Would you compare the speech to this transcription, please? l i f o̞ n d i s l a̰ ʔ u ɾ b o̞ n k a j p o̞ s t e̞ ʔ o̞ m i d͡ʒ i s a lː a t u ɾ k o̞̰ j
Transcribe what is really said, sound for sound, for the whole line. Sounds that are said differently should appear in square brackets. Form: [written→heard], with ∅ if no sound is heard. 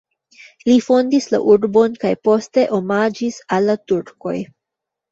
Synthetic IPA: l i f o̞ n d i s l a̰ ʔ u ɾ b o̞ n k a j p o̞ s t e̞ ʔ o̞ m [i→a] d͡ʒ i s a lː a t u ɾ k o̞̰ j